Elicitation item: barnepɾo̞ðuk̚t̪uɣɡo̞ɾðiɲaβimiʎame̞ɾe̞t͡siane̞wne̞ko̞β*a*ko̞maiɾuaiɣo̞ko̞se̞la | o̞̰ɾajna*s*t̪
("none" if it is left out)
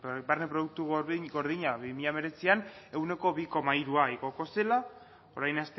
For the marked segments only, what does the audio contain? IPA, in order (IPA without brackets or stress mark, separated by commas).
i, s